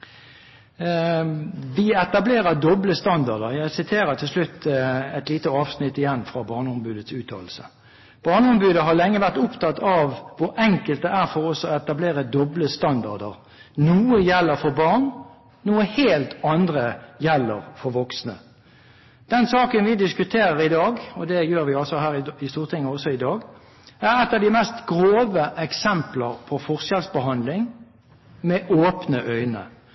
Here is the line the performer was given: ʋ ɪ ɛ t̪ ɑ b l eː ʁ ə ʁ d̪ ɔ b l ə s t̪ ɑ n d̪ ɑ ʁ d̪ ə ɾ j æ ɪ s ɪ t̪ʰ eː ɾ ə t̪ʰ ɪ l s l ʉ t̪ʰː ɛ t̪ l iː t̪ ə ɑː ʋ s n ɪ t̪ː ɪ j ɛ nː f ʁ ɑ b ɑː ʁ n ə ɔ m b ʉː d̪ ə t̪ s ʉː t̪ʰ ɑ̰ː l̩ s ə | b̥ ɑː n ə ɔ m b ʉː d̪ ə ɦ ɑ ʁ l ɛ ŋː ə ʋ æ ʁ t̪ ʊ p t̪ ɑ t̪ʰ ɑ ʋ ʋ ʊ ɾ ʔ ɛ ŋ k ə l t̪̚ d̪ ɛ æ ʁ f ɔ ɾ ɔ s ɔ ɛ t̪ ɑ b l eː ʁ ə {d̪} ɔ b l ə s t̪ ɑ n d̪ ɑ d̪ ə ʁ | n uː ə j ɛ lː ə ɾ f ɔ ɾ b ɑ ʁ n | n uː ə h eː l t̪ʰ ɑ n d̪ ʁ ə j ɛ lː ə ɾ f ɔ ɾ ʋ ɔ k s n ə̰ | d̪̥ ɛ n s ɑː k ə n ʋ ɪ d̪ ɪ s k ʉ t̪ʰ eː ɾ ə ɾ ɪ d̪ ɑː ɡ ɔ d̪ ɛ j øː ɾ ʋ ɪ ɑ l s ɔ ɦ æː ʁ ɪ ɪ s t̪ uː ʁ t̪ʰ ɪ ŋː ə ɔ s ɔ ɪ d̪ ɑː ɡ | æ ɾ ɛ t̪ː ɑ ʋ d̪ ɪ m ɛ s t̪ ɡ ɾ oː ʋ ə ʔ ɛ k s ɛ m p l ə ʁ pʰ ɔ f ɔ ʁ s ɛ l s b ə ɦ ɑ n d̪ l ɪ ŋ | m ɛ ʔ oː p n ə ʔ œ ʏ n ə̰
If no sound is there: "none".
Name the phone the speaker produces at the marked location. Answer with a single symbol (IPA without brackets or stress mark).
d̪